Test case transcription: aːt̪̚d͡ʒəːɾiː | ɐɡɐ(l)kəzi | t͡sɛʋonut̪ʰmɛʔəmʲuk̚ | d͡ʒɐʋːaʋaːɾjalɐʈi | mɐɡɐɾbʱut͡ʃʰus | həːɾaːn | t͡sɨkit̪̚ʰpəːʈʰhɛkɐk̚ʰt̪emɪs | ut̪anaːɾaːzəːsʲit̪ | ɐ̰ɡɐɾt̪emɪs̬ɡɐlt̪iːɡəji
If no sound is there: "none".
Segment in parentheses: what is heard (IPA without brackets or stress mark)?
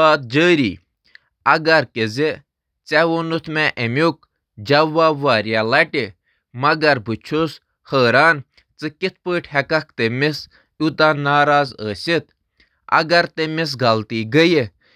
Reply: ɾ